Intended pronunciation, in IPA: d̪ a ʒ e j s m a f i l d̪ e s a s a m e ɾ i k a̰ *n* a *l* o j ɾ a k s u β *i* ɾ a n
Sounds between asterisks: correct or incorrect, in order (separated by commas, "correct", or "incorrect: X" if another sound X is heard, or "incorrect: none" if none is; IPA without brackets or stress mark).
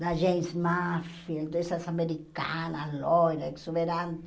correct, correct, incorrect: e